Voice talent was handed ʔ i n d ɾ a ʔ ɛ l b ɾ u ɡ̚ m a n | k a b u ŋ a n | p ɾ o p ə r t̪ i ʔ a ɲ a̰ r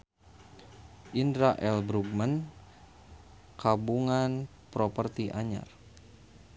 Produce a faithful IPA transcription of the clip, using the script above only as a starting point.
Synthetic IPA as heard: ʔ i n d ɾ a ʔ ɛ l b ɾ u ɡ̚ m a n | k a b u ŋ a n | p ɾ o p ə r t̪ i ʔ a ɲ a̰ r